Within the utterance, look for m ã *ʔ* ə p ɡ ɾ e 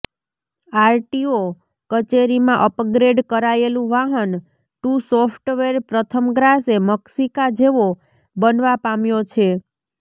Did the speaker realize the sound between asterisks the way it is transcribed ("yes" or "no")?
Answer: yes